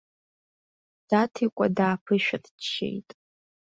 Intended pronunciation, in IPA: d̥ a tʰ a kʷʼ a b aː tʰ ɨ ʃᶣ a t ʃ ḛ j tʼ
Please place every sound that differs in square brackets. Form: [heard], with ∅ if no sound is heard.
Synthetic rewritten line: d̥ a tʰ [i] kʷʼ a [d] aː [pʰ] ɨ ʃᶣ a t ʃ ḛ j tʼ

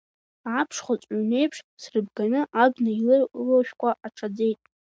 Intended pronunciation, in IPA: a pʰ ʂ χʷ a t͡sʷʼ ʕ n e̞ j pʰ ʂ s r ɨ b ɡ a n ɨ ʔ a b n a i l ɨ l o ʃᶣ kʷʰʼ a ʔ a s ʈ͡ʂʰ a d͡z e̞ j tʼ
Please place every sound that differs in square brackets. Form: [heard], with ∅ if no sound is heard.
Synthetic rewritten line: a pʰ ʂ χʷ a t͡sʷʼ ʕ n e̞ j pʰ ʂ s r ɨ b ɡ a n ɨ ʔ a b n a i l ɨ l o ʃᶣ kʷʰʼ a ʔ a [∅] ʈ͡ʂʰ a d͡z e̞ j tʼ

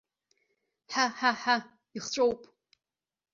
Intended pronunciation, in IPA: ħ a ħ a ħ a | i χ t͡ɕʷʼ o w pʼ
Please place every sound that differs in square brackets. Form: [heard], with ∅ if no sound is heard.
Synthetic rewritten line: ħ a ħ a ħ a | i χ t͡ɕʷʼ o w pʼ

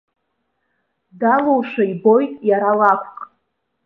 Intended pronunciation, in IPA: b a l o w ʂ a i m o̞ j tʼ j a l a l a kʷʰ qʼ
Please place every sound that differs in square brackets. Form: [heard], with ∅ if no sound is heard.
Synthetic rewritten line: [d] a l o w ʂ a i [b] o̞ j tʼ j a [ɾ] a l a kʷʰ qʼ

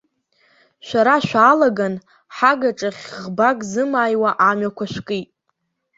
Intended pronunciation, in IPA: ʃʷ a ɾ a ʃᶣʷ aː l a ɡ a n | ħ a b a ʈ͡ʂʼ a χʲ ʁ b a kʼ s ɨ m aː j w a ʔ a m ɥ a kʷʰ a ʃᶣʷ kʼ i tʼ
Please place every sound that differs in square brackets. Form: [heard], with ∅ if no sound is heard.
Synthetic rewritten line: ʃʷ a ɾ a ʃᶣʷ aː l a ɡ a n | ħ a [ɡ] a ʈ͡ʂʼ a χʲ ʁ b a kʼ [z] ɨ m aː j w a ʔ a m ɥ a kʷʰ a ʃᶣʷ kʼ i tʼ

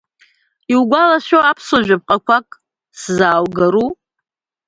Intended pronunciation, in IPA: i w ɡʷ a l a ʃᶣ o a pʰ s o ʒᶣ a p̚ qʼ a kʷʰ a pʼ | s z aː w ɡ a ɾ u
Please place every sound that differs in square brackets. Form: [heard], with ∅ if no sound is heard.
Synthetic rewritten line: i w ɡʷ a l a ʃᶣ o a pʰ s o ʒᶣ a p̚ qʼ a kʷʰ a [kʼ] | s z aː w ɡ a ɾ u

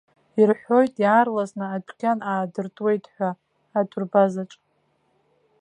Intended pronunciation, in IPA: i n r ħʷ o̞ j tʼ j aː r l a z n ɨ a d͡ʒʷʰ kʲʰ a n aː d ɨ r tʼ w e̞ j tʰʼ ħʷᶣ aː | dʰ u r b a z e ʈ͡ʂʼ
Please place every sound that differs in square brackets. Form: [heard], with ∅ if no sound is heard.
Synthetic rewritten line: i [∅] r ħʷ o̞ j tʼ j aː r l a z n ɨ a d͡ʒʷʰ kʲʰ a n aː d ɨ r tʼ w e̞ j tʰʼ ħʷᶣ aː | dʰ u r b a z [a] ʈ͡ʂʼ

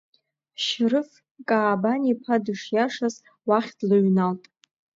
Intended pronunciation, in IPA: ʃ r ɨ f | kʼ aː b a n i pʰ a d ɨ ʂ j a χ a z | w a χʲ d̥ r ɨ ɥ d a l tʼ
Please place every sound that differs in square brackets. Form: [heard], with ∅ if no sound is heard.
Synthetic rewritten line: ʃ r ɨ f | kʼ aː b a n i pʰ a d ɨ ʂ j a [ʂ] a z | w a χʲ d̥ [l] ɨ ɥ [n] a l tʼ

